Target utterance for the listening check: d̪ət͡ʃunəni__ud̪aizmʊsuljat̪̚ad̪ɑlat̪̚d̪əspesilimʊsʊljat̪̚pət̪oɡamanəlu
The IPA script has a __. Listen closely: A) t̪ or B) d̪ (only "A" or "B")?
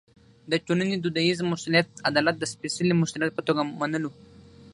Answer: B